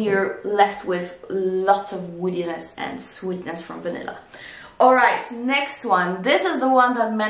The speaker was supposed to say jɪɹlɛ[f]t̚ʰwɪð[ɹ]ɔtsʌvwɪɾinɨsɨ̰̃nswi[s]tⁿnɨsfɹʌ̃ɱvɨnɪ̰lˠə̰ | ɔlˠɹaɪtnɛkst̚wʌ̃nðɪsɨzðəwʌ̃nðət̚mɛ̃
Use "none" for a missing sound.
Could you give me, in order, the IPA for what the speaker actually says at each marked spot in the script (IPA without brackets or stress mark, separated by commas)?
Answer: f, l, none